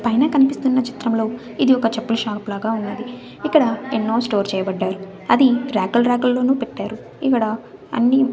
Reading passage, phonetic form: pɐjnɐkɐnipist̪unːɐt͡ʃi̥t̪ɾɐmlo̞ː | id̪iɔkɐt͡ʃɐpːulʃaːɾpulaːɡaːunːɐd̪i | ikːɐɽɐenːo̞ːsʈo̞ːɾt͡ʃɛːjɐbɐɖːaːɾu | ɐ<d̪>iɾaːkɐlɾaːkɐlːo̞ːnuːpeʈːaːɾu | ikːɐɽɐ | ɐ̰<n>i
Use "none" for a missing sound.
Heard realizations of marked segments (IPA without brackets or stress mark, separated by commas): d̪, nː